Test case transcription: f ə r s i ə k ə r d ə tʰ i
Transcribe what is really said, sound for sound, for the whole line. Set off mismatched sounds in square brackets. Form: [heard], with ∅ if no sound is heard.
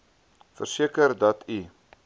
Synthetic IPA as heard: f ə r s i ə k ə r d [ɐ] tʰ i